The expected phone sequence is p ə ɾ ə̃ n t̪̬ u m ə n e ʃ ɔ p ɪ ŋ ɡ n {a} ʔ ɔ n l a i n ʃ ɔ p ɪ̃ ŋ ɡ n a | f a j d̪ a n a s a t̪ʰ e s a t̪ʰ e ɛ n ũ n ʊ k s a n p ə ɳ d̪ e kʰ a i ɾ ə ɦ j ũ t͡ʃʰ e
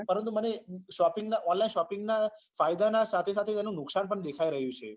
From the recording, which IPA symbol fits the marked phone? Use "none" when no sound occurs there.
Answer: a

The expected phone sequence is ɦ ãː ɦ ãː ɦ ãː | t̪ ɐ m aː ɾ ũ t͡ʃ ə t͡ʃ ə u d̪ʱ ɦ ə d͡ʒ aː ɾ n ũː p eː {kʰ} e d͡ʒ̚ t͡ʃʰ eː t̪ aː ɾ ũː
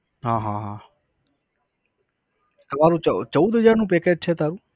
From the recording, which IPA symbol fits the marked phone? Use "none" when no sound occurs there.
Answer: k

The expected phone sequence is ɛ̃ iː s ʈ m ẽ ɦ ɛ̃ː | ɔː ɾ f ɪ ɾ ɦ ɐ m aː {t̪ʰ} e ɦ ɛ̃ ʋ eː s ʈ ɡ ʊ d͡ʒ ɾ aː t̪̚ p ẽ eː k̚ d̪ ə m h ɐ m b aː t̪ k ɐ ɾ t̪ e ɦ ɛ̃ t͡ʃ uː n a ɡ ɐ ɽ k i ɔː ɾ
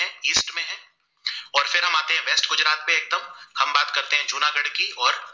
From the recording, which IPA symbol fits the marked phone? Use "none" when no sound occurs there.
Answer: t̪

